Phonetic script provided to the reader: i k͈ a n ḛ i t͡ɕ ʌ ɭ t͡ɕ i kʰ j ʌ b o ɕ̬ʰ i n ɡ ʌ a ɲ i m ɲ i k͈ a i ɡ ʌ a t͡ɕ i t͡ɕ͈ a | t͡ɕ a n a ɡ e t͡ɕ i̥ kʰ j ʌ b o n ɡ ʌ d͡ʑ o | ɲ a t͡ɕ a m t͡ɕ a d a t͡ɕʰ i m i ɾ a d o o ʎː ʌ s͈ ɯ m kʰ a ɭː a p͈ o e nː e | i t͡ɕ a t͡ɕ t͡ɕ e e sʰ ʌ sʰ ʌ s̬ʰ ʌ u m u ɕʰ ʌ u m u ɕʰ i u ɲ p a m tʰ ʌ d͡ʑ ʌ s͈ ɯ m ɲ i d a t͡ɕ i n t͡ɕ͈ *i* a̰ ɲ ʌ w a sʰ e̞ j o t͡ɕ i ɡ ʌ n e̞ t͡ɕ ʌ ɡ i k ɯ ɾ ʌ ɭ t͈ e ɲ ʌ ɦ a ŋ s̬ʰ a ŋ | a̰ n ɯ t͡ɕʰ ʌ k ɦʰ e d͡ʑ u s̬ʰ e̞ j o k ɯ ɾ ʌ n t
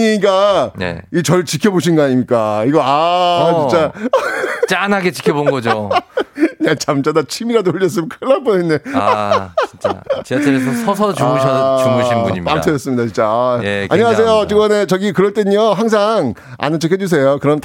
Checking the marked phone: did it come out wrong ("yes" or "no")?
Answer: yes